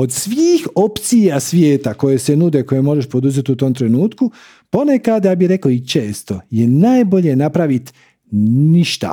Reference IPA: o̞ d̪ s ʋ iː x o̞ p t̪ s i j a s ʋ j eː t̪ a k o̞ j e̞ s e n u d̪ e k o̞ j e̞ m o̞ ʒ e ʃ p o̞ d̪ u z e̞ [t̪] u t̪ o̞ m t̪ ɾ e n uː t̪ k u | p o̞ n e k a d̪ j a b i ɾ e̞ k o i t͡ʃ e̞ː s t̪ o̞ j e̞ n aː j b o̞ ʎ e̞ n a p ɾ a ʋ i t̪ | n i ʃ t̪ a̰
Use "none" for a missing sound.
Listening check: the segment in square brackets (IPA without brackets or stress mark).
t̪